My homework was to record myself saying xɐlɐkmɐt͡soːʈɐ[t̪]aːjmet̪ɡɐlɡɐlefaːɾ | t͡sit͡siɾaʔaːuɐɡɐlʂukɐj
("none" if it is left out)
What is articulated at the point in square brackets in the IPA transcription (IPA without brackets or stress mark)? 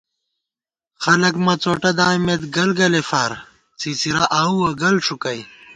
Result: d̪